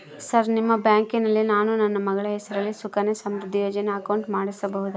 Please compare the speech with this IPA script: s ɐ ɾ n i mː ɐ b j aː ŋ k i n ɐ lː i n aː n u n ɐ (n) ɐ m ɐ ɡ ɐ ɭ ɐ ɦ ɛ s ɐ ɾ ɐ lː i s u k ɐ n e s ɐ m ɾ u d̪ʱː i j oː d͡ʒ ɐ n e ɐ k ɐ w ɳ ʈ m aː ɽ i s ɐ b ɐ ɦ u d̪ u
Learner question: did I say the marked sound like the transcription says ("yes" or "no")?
no